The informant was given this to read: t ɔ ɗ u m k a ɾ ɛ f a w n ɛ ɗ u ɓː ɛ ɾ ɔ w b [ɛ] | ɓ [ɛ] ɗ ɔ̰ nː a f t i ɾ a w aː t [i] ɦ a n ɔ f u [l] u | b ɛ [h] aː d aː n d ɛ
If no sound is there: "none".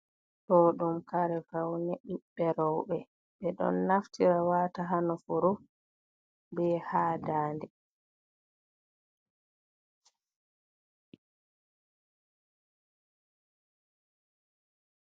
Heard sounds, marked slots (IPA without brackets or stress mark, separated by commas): ɛ, ɛ, a, ɾ, h